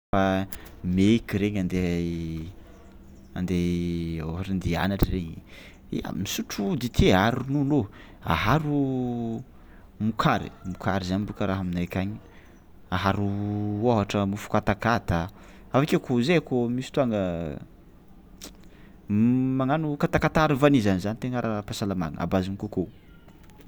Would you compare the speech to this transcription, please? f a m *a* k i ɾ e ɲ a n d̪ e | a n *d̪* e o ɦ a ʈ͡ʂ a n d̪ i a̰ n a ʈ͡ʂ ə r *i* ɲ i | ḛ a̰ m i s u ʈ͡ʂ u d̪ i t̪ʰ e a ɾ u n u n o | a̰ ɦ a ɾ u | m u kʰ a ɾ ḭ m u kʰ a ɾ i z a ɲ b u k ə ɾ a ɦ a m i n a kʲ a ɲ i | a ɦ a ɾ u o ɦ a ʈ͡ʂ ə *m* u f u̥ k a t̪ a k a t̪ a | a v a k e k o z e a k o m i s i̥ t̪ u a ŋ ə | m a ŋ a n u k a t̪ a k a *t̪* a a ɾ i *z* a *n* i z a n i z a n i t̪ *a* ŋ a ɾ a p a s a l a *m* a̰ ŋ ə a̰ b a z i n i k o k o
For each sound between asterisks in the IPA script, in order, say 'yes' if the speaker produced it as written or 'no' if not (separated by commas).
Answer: no, yes, no, yes, yes, no, yes, no, yes